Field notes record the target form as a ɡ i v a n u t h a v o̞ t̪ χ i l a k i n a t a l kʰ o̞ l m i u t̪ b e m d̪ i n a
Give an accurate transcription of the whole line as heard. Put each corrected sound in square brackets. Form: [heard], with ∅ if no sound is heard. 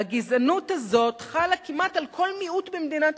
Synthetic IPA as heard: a ɡ i [z] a n u t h a [z] o̞ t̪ χ [a] l a k i [m] a t a l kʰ o̞ l m i u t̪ b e m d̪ i n a

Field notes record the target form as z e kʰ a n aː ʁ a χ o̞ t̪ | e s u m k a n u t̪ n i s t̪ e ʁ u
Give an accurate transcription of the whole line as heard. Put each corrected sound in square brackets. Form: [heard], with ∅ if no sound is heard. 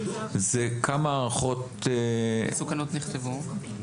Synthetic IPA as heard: z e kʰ a [m] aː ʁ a χ o̞ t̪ | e s u [∅] k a n [o] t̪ n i [χ] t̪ e [v] u

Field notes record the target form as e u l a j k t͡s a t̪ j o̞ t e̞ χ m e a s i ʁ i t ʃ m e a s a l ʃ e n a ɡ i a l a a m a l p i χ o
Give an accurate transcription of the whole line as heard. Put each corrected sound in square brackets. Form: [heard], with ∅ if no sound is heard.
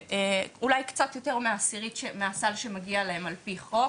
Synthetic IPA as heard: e u l a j k t͡s a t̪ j o̞ t e̞ [ʁ] m e a s i ʁ i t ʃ m e a s a l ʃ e [m] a ɡ i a l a [e] m a l p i χ o

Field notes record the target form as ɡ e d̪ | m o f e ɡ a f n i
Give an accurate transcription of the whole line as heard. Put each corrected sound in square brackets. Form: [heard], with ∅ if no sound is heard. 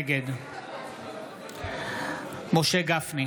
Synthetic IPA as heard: ɡ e d̪ | m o [ʃ] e ɡ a f n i

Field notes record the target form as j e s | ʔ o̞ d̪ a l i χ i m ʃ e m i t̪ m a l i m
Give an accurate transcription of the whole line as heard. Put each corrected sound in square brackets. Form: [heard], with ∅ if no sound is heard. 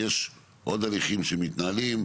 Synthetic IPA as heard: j e [ʃ] | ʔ o̞ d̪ a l i χ i m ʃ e m i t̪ [n] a l i m

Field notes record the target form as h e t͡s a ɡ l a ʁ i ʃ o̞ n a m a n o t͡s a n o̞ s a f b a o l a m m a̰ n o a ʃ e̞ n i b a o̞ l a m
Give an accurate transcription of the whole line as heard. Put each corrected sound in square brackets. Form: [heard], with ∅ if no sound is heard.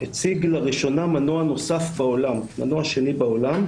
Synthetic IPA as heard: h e t͡s [i] ɡ l a ʁ i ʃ o̞ n a m a n o [∅] a n o̞ s a f b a o l a m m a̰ n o a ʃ e̞ n i b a o̞ l a m

